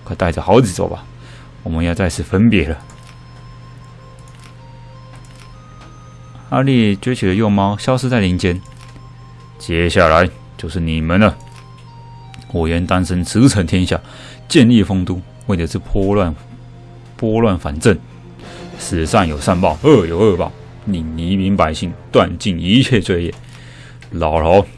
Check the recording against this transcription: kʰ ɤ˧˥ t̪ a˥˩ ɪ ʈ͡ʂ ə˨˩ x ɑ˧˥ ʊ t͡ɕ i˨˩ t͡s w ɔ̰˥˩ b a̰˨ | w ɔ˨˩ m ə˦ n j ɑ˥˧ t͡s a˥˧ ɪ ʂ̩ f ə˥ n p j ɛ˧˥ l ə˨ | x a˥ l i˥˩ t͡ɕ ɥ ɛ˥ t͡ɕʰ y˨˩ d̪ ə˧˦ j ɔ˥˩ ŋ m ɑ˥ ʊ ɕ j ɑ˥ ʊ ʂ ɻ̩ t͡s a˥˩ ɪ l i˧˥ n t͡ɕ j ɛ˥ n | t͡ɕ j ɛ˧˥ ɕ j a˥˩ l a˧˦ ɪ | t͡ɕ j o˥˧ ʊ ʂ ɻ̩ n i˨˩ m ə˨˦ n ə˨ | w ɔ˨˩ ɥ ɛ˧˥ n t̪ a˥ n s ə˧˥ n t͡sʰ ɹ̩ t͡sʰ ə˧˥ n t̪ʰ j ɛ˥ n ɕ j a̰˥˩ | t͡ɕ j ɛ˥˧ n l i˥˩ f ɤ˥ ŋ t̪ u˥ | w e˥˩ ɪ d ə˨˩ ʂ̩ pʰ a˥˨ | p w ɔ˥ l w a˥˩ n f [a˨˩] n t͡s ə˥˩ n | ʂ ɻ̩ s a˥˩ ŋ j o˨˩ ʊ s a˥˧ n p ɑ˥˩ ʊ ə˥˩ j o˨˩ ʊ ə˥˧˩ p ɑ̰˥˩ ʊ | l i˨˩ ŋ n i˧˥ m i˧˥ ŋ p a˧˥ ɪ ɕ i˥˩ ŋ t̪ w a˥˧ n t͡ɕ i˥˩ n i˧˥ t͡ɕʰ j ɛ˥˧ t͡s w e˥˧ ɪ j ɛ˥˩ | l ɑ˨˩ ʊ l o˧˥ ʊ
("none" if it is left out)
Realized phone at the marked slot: a˨˩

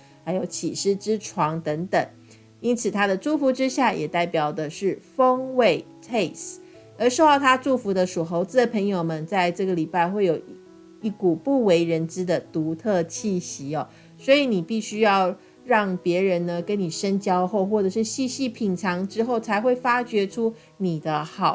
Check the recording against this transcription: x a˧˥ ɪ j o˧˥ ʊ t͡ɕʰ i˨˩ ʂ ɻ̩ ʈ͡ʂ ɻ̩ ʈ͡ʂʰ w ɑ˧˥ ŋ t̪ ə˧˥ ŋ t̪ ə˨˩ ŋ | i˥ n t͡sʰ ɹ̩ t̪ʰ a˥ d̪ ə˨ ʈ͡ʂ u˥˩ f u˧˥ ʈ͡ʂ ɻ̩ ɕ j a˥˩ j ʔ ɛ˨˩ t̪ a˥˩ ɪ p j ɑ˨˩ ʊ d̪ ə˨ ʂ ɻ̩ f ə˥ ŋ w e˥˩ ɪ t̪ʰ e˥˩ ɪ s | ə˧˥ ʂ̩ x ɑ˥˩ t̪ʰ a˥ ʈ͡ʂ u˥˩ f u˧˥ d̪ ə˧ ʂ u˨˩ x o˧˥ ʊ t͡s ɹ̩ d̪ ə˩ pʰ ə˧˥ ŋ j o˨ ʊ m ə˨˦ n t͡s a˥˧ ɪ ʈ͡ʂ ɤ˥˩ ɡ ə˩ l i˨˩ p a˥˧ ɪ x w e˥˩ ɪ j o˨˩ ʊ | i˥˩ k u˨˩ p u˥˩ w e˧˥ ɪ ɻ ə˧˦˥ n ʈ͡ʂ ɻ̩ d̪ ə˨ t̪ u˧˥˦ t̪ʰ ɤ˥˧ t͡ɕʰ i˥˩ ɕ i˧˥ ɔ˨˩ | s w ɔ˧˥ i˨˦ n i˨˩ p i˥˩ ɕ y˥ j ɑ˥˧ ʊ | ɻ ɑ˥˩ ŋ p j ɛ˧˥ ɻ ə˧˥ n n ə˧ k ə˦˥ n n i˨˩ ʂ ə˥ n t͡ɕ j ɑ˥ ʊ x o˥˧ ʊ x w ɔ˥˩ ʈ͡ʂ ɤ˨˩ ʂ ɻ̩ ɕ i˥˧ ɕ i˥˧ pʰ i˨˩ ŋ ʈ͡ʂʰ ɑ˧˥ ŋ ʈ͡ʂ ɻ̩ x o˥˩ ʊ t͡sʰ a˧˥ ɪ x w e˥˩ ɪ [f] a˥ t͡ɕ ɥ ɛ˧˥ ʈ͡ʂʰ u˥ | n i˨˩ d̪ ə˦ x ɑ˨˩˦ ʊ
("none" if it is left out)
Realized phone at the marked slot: f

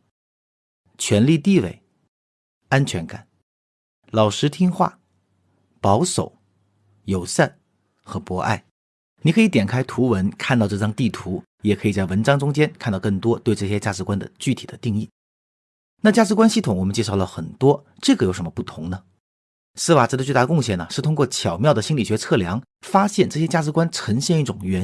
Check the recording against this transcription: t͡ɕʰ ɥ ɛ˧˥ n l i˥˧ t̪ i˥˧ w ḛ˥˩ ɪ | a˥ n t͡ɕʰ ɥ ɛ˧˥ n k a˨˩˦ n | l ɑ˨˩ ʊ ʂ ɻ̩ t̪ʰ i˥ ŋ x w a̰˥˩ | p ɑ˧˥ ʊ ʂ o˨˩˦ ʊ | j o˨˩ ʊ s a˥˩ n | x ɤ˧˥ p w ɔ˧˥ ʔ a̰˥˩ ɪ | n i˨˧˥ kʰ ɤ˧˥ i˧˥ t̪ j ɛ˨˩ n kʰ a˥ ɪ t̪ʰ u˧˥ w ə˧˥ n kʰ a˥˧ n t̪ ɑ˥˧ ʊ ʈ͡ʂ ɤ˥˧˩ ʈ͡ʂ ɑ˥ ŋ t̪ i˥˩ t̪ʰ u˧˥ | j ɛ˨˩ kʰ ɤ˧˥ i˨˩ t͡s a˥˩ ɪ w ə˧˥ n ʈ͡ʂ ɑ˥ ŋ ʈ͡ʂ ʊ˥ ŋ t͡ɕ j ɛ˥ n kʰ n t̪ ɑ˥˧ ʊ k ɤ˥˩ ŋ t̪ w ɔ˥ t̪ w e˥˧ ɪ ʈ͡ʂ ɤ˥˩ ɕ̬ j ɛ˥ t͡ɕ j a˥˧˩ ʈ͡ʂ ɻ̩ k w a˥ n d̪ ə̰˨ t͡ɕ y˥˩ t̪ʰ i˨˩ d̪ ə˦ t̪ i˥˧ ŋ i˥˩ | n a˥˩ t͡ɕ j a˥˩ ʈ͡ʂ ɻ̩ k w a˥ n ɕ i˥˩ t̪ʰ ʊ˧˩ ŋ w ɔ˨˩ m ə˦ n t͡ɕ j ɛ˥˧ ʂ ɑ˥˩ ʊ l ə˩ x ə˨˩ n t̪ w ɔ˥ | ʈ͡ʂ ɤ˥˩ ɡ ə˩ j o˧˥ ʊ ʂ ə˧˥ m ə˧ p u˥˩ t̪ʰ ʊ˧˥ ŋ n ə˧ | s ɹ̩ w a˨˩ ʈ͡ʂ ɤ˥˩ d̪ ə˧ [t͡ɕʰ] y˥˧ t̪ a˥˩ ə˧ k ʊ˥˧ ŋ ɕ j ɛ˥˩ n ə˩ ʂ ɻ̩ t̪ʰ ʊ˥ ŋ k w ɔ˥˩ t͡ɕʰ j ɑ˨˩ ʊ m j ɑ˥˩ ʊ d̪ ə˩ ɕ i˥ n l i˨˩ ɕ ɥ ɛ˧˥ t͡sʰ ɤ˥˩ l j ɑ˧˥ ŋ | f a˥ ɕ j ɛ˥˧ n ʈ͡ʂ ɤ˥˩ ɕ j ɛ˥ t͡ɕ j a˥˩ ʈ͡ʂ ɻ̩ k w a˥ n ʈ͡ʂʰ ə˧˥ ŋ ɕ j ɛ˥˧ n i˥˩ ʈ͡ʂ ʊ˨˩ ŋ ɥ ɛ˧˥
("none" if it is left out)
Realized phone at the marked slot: t͡ɕ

